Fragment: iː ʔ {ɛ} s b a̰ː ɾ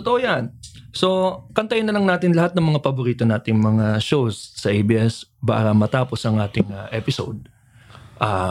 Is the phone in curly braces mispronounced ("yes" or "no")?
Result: no